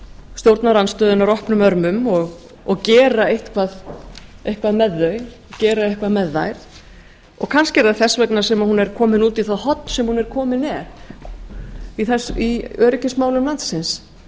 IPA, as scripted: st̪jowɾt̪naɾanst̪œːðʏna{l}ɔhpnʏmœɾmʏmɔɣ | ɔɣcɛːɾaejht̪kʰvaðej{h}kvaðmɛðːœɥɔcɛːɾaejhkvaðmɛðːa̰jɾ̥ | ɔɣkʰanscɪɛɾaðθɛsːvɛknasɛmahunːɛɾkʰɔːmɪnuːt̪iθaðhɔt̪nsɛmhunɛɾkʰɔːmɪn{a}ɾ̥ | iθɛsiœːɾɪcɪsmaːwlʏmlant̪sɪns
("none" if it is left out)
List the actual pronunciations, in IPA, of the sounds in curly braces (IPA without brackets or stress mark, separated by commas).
ɾ, h, ɛ